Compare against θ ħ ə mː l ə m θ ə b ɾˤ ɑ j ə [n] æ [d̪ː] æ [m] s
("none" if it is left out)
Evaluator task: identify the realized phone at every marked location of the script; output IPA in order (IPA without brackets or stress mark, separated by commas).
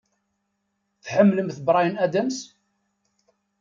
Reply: n, d̪, m